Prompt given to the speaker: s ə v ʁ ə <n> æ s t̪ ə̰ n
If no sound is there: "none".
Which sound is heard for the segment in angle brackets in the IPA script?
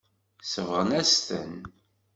n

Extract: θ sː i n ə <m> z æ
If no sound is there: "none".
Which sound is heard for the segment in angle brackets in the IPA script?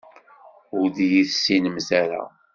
m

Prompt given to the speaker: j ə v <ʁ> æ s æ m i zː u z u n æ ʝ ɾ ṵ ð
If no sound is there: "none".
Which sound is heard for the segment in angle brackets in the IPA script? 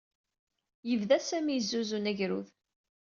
ð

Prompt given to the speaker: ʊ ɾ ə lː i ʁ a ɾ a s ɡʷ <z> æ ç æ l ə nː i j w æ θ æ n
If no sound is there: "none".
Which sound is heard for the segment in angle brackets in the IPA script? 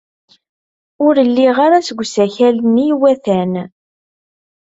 s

